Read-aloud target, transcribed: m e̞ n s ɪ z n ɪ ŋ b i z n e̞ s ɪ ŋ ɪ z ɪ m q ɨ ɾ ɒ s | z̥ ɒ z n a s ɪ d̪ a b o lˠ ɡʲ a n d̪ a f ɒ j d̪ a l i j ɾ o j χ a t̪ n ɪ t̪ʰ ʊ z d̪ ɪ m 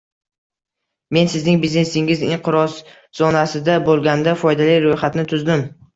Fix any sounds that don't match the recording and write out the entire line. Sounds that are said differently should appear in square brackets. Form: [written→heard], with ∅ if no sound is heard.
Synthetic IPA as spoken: m e̞ n s ɪ z n ɪ ŋ b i z n e̞ s ɪ ŋ ɪ z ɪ [m→ɴ] q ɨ ɾ ɒ s | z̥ ɒ [z→∅] n a s ɪ d̪ a b o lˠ ɡʲ a n d̪ a f ɒ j d̪ a l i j ɾ o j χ a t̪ n ɪ t̪ʰ ʊ z d̪ ɪ m